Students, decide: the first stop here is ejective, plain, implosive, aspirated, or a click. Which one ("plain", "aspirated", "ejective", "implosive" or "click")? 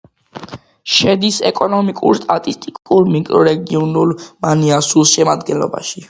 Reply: plain